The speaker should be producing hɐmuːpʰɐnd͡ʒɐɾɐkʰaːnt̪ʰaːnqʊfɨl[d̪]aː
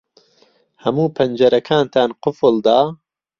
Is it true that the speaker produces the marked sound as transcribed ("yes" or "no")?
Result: yes